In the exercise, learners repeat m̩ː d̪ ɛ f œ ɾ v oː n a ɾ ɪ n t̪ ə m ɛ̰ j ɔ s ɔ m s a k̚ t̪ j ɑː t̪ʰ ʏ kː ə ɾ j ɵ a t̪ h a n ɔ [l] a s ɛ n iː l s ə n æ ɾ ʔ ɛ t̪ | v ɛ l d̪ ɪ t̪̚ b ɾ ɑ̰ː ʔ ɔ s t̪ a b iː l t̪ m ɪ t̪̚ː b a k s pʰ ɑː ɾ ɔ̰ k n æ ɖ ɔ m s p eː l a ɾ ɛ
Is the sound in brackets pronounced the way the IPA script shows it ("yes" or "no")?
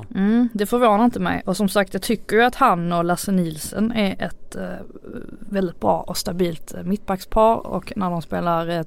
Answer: yes